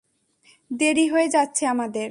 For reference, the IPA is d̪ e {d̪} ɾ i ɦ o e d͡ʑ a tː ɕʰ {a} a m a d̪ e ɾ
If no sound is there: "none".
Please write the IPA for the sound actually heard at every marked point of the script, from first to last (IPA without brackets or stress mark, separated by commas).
none, e